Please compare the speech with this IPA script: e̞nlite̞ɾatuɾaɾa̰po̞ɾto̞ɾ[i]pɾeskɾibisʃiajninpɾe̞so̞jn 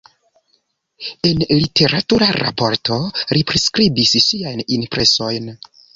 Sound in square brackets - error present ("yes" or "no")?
no